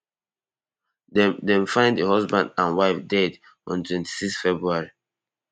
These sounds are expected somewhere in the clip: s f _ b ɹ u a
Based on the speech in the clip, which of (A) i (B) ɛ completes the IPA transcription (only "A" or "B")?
B